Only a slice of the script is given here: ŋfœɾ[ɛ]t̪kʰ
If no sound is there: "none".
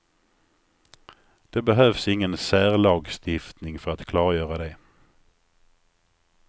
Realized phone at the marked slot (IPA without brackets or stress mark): a